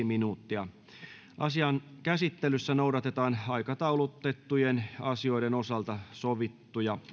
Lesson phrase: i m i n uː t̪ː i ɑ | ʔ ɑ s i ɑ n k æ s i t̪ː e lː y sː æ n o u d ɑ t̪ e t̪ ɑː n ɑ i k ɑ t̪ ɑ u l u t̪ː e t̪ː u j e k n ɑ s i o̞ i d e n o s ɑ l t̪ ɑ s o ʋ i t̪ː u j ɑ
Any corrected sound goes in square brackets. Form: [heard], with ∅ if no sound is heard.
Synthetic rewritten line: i m i n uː t̪ː i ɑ | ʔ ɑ s i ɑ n k æ s i t̪ː e [l] y sː æ n o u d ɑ t̪ e t̪ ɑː n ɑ i k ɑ t̪ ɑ u l u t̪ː e t̪ː u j e [∅] n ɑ s i o̞ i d e n o s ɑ l t̪ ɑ s o ʋ i t̪ː u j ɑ